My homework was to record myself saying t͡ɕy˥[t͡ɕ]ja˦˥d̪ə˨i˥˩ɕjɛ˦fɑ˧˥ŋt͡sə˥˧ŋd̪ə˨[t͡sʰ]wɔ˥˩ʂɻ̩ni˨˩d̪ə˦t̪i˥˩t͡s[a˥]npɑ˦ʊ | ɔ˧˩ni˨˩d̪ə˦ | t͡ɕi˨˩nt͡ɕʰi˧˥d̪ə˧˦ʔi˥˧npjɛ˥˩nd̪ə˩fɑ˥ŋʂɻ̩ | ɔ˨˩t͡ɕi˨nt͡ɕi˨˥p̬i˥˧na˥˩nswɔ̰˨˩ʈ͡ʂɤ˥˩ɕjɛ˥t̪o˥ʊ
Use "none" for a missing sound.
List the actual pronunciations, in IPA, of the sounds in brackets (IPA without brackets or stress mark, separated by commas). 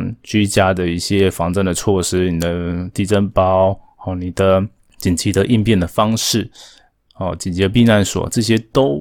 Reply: t͡ɕ, t͡sʰ, ə˥